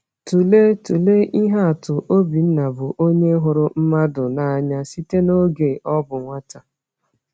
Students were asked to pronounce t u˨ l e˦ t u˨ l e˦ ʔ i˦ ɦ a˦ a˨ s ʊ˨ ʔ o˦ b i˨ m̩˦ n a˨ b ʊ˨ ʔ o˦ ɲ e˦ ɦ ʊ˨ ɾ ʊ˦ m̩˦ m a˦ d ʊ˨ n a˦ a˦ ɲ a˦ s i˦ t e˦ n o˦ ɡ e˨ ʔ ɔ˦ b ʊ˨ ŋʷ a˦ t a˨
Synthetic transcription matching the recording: t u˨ l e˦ t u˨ l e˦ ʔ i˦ ɦ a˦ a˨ t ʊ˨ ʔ o˦ b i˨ n̩˦ n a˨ b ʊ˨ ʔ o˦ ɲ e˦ ɦ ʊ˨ ɾ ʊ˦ m̩˦ m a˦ d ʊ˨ n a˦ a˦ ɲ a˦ s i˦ t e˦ n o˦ ɡ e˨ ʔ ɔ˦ b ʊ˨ ŋʷ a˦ t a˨